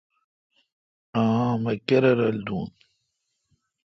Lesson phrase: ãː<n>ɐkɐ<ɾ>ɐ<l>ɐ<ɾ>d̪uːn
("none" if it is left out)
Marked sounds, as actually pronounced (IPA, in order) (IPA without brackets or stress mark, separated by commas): m, ɾ, ɾ, l